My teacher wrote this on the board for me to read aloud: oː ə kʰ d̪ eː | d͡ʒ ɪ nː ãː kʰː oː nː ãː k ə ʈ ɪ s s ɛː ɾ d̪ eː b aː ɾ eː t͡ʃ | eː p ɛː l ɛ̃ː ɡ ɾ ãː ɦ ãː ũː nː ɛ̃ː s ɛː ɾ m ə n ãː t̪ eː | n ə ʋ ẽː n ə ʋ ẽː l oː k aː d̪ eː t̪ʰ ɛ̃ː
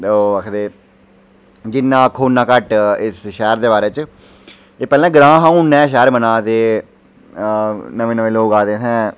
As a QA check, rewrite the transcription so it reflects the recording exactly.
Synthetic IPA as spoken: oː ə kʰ d̪ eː | d͡ʒ ɪ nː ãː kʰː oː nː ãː k ə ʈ ɪ s ʃ ɛː ɾ d̪ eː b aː ɾ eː t͡ʃ | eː p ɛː l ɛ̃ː ɡ ɾ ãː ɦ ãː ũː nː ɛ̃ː ʃ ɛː ɾ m ə n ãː t̪ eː | n ə ʋ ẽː n ə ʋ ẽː l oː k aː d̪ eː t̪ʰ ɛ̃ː